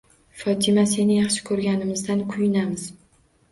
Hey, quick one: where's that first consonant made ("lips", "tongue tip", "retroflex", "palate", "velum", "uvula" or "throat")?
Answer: lips